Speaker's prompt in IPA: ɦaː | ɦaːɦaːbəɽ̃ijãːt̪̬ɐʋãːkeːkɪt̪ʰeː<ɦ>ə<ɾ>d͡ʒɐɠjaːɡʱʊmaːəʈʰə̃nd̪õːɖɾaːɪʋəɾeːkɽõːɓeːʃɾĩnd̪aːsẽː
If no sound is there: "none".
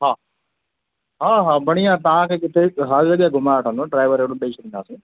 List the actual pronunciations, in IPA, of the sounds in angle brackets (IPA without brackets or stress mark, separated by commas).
ɦ, ɾ